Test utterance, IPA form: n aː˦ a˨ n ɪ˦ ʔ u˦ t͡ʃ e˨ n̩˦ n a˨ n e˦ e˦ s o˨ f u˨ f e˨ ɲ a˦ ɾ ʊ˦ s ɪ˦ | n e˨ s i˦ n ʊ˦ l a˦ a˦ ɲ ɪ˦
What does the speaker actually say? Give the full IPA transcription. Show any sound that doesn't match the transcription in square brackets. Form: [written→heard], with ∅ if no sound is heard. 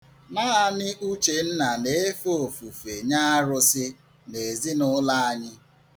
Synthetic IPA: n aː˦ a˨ n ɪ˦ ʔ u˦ t͡ʃ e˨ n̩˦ n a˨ n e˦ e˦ [s→f] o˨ f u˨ f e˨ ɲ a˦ ɾ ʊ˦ s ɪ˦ | n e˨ [s→z] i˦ n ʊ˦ l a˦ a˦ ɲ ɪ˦